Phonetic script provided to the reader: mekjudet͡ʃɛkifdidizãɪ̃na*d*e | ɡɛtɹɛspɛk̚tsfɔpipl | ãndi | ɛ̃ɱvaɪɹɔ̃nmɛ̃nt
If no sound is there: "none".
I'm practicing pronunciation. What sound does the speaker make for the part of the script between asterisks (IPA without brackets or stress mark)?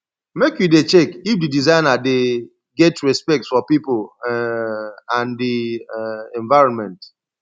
d